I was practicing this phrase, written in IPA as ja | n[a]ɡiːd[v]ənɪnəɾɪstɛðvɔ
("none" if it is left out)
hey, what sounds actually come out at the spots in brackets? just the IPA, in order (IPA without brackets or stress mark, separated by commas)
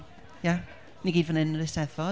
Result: i, v